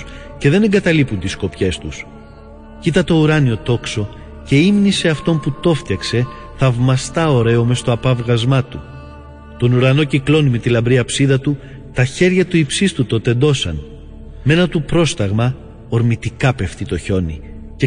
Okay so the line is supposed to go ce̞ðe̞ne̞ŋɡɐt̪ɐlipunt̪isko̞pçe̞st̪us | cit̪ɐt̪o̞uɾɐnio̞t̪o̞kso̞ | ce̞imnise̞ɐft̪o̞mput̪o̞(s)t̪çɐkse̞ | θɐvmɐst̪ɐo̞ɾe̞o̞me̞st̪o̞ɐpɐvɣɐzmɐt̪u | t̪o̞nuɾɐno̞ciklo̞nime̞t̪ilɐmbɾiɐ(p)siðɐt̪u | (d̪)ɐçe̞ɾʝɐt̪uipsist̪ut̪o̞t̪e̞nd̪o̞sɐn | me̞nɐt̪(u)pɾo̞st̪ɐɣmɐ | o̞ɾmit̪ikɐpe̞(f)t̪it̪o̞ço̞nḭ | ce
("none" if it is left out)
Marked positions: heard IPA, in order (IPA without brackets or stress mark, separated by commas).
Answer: f, p, t̪, u, f